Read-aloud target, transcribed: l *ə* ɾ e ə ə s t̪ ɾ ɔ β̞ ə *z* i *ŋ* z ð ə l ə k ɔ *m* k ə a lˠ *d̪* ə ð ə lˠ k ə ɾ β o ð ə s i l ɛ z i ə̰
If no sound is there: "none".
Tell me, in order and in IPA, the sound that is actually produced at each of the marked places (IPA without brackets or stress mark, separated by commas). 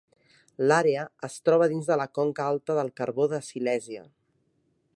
a, ð, n, ŋ, t̪